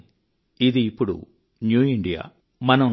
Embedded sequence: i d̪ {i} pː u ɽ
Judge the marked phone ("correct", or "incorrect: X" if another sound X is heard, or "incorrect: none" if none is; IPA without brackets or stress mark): incorrect: iː